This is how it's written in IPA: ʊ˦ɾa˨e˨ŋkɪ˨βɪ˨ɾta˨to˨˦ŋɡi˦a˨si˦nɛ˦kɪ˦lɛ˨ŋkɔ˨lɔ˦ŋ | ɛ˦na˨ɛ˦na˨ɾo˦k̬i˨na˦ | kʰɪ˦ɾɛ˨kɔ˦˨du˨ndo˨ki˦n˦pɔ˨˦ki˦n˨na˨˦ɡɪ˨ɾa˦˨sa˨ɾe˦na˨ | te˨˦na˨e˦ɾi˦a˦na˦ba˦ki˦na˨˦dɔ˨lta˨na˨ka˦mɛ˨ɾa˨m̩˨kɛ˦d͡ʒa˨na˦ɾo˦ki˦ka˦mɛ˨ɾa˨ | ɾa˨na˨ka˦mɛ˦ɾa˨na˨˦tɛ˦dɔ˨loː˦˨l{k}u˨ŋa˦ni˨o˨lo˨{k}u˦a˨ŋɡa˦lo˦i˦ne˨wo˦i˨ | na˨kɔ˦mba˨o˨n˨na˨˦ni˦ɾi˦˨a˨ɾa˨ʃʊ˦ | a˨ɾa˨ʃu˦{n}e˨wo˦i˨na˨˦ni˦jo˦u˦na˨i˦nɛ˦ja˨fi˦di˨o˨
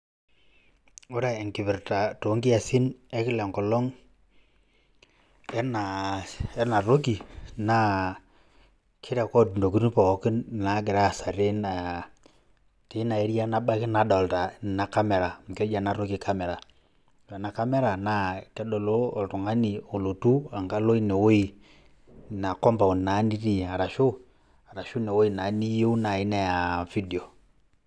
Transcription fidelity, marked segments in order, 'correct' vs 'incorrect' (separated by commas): incorrect, incorrect, correct